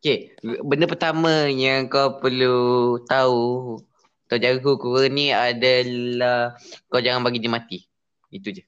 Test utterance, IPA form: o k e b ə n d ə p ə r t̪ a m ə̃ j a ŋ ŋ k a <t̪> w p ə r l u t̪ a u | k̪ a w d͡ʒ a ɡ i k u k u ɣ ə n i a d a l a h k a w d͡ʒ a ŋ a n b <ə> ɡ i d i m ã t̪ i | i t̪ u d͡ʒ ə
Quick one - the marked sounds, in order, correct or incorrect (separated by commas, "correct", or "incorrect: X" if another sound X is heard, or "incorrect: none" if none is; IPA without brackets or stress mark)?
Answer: incorrect: none, incorrect: a